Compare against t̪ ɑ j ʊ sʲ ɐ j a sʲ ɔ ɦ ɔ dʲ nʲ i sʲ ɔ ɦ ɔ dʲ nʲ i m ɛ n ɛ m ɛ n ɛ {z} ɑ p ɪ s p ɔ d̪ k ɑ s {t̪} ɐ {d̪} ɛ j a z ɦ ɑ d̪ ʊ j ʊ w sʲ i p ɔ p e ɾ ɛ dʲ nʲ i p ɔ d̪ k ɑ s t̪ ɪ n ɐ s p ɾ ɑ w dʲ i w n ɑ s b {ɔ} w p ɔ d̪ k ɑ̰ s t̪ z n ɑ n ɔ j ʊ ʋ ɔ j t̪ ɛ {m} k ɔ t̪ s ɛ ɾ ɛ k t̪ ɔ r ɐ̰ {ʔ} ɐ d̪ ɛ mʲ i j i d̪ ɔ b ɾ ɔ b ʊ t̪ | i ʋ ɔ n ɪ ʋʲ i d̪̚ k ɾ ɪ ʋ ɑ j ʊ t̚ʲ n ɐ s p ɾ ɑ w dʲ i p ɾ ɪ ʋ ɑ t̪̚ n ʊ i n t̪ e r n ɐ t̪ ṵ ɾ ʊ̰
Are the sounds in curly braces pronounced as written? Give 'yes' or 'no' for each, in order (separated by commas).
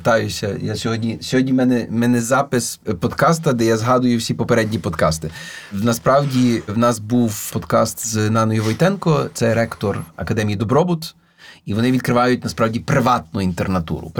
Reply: yes, yes, yes, no, no, no